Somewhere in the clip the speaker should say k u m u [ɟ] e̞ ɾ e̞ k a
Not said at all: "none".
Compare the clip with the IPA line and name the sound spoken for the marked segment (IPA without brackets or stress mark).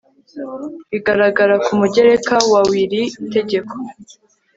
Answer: ɟ